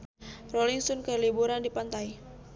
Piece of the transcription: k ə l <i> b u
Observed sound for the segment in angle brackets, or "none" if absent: i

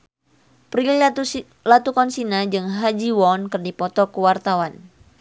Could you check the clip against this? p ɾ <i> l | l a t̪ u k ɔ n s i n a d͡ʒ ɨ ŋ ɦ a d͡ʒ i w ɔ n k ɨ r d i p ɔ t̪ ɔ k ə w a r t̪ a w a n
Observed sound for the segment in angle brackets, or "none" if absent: i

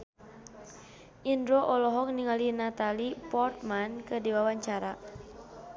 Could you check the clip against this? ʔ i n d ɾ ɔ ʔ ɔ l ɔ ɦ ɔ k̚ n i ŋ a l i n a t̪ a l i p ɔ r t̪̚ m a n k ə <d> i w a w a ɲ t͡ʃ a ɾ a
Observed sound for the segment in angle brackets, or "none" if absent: d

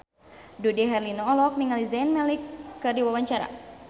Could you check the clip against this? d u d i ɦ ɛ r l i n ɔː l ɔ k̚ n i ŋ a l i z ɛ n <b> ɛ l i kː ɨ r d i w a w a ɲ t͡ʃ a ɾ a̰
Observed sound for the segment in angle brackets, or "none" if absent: m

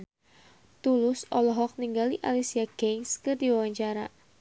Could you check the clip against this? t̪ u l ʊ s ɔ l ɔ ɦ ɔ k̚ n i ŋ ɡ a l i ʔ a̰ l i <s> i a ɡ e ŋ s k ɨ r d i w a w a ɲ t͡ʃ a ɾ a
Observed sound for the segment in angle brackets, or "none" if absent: s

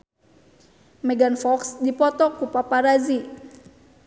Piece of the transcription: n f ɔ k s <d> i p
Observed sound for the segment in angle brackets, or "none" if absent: d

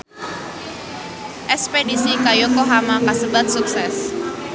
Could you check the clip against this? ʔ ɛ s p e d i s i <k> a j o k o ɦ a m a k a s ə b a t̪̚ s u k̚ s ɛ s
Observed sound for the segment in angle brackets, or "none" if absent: k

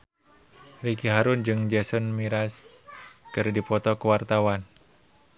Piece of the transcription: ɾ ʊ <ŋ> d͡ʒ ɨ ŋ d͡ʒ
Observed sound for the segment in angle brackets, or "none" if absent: n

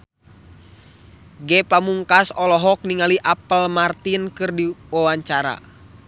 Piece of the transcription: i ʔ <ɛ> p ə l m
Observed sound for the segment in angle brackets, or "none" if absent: a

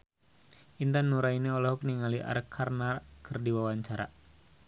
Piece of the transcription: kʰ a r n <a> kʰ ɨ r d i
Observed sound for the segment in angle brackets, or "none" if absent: a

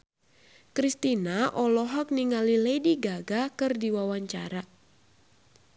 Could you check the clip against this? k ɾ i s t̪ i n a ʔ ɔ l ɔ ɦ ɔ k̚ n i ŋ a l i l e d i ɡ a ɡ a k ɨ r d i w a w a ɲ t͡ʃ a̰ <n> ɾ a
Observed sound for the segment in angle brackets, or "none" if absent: none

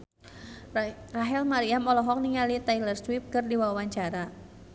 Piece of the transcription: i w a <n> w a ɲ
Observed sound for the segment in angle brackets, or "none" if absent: none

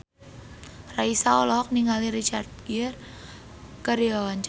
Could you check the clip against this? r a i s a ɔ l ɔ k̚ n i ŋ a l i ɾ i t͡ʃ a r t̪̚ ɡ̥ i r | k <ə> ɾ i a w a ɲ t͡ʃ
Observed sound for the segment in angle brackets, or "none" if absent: ə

